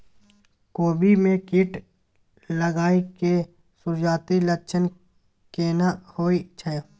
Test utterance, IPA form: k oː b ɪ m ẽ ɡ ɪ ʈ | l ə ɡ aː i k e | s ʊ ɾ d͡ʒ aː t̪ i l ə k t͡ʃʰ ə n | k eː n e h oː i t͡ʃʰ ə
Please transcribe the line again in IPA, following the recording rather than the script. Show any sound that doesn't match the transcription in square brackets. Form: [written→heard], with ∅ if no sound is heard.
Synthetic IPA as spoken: k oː b [ɪ→i] m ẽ [ɡ→k] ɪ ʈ | l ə ɡ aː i k e | s ʊ ɾ d͡ʒ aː t̪ i l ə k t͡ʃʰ ə n | k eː n [e→a] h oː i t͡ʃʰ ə